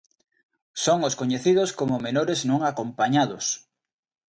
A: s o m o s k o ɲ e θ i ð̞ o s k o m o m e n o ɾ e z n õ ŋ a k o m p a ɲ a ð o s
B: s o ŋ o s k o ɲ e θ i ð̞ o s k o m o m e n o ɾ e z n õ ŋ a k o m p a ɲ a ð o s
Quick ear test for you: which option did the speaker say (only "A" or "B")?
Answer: B